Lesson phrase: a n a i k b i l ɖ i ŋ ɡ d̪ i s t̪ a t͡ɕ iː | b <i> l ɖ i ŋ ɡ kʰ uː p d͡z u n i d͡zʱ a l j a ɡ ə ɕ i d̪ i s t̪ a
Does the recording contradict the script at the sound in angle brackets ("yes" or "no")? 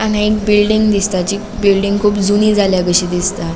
no